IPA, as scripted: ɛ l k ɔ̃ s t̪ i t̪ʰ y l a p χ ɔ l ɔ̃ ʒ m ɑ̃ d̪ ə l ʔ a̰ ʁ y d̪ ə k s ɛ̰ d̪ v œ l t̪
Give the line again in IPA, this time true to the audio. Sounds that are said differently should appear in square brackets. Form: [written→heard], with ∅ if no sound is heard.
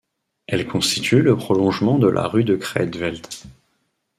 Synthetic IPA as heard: ɛ l k ɔ̃ s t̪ i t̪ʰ y l [a→ə] p χ ɔ l ɔ̃ ʒ m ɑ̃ d̪ ə l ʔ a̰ ʁ y d̪ ə k [s→χ] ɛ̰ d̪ v [œ→ɛ] l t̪